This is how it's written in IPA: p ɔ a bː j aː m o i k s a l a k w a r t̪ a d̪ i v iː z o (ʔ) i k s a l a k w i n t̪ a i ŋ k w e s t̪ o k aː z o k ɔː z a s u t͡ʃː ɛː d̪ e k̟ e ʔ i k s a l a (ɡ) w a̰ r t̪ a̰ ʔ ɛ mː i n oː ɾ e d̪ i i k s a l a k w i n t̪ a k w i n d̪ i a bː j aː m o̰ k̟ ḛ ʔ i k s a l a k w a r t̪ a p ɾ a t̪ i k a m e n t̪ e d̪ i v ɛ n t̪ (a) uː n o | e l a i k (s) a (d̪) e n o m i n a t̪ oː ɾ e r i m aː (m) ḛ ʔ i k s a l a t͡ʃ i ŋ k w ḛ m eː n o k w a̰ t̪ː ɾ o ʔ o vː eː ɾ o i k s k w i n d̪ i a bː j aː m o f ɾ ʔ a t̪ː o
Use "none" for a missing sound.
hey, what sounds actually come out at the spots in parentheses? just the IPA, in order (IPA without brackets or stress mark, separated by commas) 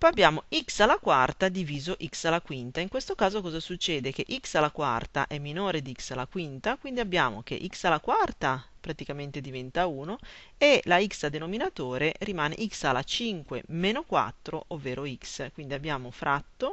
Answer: ʔ, k, a, s, d̪, n